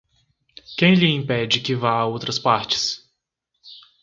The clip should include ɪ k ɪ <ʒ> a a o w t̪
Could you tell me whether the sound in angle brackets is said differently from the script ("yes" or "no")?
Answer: yes